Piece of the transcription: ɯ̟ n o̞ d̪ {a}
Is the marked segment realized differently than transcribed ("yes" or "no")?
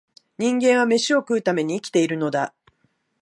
no